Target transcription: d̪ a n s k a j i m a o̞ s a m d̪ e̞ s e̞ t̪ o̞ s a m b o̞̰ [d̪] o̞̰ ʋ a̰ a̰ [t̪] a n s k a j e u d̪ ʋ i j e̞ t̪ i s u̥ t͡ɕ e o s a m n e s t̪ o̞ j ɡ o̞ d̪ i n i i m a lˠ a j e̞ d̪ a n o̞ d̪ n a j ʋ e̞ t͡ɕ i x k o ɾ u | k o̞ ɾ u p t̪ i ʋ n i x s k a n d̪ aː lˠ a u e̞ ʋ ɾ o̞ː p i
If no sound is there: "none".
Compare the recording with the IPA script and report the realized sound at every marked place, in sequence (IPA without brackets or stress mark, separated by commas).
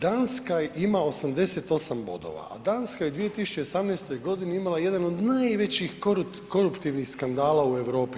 d̪, d̪